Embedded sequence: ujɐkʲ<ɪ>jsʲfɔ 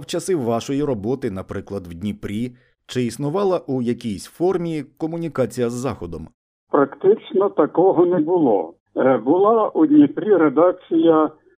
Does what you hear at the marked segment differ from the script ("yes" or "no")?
yes